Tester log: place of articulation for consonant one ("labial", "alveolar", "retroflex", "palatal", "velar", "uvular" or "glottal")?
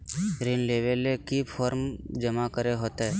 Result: alveolar